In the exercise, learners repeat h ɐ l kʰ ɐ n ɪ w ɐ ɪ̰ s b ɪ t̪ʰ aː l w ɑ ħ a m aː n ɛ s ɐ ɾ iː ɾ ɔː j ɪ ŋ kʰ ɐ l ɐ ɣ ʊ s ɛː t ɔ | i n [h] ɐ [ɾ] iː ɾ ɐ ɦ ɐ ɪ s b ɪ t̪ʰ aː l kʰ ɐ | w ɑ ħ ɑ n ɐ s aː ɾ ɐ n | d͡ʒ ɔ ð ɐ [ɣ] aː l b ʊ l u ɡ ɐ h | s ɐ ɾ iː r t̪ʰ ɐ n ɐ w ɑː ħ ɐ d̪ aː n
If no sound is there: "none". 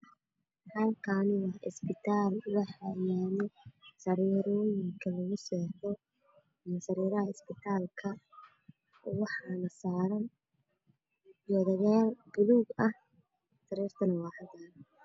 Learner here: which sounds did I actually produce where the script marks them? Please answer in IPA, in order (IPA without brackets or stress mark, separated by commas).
s, ɾ, ɣ